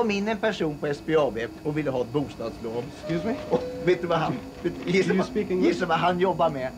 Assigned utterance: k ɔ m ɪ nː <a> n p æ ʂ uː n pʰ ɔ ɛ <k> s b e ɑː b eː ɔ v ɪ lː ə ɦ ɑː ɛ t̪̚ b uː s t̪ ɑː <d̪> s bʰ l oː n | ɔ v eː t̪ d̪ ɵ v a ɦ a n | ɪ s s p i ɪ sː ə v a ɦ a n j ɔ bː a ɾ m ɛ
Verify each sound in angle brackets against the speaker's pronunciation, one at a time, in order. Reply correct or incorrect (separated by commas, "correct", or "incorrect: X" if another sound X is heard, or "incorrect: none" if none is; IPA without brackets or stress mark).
incorrect: ɛ, incorrect: none, correct